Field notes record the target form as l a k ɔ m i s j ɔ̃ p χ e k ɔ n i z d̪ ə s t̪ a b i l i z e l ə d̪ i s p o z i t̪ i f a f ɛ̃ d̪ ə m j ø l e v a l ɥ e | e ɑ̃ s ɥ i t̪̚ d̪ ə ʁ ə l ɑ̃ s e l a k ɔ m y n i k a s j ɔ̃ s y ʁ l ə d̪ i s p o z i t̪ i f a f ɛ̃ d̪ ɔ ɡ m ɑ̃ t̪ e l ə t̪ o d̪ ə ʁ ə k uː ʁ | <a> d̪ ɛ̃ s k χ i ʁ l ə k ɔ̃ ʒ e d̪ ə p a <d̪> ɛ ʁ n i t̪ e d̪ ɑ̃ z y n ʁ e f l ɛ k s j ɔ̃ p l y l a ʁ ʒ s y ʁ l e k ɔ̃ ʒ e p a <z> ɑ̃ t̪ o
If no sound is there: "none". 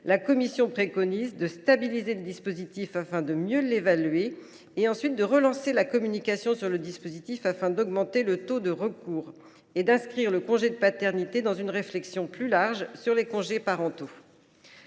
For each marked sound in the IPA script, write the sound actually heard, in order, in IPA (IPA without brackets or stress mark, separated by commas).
e, t̪, ʁ